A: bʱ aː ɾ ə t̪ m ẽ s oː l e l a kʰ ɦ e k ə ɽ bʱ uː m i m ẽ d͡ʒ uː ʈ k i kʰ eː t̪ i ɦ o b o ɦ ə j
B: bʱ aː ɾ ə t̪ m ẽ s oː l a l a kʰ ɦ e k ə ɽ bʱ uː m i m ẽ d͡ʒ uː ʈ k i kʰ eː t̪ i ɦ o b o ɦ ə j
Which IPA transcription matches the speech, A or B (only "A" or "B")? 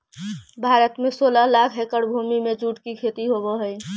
B